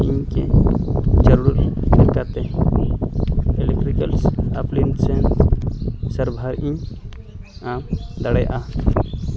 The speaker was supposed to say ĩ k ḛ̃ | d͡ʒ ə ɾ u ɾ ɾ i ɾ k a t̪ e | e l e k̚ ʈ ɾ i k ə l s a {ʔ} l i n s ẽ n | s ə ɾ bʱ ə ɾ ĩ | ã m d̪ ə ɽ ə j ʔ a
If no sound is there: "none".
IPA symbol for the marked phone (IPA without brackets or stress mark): p